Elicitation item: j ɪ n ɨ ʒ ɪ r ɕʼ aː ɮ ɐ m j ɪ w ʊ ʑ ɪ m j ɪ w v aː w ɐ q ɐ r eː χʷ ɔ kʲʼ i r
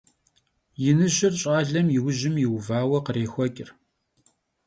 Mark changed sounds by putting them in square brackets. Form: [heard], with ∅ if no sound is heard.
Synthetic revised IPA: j ɪ n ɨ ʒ ɪ r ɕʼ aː ɮ ɐ m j ɪ w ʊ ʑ ɪ m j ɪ w v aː w ɐ q [ə] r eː [xʷ] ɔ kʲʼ [ɪ] r